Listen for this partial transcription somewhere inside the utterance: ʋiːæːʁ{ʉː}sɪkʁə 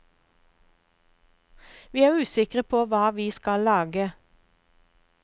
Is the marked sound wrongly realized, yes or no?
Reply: no